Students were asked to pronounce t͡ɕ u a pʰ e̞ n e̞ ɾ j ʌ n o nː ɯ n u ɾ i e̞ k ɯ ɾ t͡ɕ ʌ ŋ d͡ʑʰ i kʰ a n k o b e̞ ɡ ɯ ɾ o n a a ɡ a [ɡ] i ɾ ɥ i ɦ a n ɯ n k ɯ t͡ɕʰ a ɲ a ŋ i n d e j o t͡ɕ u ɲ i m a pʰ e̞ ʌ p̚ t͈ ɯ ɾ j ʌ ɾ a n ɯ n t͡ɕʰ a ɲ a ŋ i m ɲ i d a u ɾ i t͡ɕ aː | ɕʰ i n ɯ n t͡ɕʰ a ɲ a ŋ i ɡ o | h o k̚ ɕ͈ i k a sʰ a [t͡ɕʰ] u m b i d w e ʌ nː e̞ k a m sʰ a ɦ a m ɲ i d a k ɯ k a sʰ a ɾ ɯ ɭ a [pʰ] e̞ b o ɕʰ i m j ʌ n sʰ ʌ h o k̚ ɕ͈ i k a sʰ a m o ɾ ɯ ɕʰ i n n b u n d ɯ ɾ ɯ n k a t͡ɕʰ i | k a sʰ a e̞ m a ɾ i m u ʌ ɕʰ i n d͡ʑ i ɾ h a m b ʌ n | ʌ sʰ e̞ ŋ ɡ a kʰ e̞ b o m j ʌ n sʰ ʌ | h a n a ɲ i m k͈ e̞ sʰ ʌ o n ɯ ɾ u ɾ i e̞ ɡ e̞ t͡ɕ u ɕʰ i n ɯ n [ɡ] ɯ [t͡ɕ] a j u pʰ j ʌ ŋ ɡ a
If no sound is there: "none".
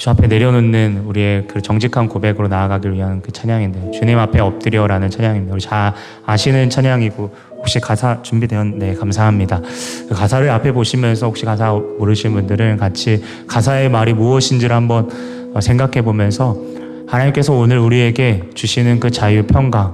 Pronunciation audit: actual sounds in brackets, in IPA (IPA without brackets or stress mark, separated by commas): ɡ, t͡ɕ, pʰ, k, t͡ɕ